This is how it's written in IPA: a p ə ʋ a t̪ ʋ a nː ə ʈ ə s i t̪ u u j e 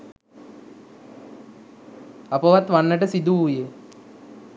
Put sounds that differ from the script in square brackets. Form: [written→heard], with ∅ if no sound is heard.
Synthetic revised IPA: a p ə ʋ a t̪ ʋ a nː ə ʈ ə s i [t̪→d̪] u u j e